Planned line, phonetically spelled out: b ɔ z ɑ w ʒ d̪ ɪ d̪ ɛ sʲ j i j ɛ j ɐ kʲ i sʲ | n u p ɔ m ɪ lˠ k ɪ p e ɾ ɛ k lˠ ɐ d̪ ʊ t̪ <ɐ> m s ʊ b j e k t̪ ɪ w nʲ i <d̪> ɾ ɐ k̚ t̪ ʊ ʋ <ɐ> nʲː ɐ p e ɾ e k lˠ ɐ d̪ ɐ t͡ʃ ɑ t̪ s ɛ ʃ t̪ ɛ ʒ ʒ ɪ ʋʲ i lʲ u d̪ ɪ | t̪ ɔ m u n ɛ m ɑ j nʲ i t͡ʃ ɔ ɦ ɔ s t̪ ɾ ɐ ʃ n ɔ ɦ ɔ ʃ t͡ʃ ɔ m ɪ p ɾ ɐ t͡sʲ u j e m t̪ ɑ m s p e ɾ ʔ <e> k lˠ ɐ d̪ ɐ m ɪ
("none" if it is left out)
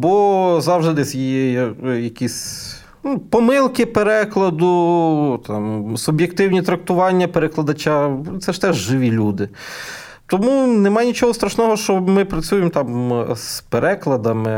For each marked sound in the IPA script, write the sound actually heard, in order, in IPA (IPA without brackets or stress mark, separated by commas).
ɑ, t̪, ɑ, ɛ